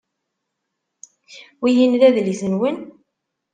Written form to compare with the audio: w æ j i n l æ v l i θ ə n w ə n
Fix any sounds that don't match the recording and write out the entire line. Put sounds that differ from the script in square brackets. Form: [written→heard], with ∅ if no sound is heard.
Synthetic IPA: w [æ→i] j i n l æ [v→ð] l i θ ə n w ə n